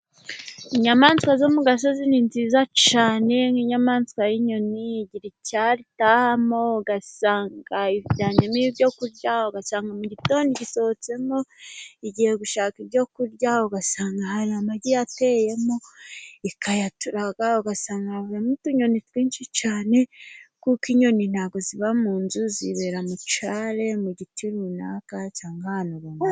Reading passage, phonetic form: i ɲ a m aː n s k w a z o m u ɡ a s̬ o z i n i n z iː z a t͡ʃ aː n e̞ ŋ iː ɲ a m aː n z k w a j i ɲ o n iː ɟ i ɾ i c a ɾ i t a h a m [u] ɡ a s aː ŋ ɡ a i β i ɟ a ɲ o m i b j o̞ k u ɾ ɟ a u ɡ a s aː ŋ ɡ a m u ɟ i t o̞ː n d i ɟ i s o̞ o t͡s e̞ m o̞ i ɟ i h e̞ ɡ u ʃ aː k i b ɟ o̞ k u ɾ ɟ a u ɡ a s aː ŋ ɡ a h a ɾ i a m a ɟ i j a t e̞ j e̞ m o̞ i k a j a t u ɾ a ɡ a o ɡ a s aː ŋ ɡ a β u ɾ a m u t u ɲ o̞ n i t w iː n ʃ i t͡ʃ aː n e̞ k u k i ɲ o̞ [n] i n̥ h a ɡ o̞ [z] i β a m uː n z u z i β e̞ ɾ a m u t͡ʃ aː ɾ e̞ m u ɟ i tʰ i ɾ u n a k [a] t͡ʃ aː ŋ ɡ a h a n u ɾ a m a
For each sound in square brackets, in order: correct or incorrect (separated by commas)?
incorrect, correct, correct, correct